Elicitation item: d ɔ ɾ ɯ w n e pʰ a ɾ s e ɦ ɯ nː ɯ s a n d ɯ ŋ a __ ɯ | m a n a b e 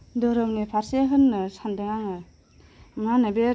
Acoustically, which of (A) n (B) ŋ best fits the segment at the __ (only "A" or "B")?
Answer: B